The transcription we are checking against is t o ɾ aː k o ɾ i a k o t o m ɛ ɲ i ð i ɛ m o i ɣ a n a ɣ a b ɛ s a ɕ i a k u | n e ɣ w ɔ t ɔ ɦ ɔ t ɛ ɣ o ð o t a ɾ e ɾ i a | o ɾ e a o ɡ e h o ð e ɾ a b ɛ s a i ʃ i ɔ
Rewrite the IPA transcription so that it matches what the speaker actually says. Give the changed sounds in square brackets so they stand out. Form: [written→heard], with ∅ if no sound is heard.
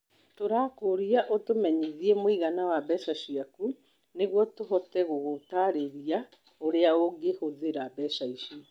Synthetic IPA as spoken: t o ɾ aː k o ɾ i a [k→ʔ] o t o m ɛ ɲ i ð i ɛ m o i ɣ a n a [ɣ→w] a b ɛ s a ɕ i a k u | n e ɣ w ɔ t [ɔ→o] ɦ ɔ t ɛ ɣ o [ð→ɣ] o t a ɾ e ɾ i a | o ɾ e a o ɡ e h o ð e ɾ a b ɛ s a i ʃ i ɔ

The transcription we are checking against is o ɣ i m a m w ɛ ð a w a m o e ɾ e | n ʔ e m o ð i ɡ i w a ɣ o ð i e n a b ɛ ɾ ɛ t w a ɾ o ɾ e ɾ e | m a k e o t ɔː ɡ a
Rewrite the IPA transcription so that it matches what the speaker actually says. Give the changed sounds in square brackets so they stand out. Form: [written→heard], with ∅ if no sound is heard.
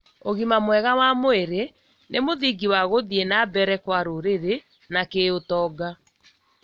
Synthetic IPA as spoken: o ɣ i m a m w ɛ [ð→ɣ] a w a m o e ɾ e | n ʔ e m o ð i ɡ i w a ɣ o ð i e n a b ɛ ɾ ɛ [t→k] w a ɾ o ɾ e ɾ e | [m→n] a k e o t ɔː ɡ a

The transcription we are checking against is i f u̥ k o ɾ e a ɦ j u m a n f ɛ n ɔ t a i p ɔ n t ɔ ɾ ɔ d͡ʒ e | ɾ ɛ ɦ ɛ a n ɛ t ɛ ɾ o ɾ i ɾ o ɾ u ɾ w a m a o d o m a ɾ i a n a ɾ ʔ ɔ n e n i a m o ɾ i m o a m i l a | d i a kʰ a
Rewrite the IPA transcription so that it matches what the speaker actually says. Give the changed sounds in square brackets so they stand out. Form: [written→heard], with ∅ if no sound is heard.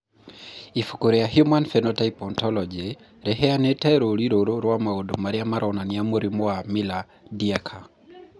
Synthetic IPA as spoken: i f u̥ k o ɾ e a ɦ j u m a n f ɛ n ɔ t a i p ɔ n t ɔ [ɾ→l] ɔ d͡ʒ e | ɾ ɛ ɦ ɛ a n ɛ t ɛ ɾ o ɾ i ɾ o ɾ [u→o] ɾ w a m a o d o m a ɾ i a [n→m] a ɾ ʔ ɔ n [e→a] n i a m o ɾ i m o a m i l a | d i a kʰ a

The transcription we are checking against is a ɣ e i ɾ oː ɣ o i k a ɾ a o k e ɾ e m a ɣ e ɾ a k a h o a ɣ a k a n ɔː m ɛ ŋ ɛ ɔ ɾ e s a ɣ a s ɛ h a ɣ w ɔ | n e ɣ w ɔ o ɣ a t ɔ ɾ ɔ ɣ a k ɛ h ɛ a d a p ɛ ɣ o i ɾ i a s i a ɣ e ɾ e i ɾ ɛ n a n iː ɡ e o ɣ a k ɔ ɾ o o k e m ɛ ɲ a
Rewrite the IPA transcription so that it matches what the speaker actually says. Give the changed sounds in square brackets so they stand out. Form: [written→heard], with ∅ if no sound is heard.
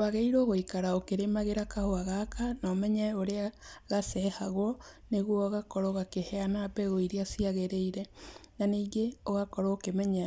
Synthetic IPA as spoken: a ɣ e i ɾ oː ɣ o i k a ɾ a o k e ɾ e m a ɣ e ɾ a k a h o a ɣ a k a n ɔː m ɛ [ŋ→ɲ] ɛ [ɔ→o] ɾ e [s→∅] a ɣ a s ɛ h a ɣ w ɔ | n e ɣ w ɔ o ɣ a [t→k] ɔ ɾ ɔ ɣ a k [ɛ→e] h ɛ a [d→n] a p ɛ ɣ o i ɾ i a s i a ɣ e ɾ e i ɾ ɛ n a n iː ɡ e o ɣ a k ɔ ɾ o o k e m ɛ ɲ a

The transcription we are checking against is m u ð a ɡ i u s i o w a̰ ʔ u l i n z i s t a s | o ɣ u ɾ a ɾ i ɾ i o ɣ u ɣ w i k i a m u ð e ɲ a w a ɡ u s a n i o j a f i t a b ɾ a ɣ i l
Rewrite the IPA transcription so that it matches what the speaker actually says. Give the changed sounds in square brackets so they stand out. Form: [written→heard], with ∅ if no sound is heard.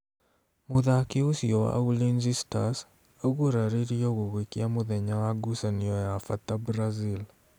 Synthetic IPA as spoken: m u ð a [ɡ→k] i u s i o w a̰ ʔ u l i n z i s t a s | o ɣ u ɾ a ɾ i ɾ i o ɣ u ɣ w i k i a m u ð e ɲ a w a ɡ u s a n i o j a f [i→a] t a b ɾ a [ɣ→z] i l

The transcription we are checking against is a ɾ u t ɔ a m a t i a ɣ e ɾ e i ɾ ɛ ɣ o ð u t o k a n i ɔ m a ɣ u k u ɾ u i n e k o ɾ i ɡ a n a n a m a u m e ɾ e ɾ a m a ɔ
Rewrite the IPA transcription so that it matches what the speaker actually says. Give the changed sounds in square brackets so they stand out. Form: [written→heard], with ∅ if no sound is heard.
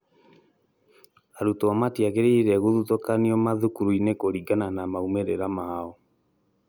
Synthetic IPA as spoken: a ɾ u t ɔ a m a t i a ɣ e ɾ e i ɾ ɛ ɣ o ð u t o k a n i ɔ m a [ɣ→ð] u k u ɾ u i n e k o ɾ i ɡ a n a n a m a u m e ɾ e ɾ a m a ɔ

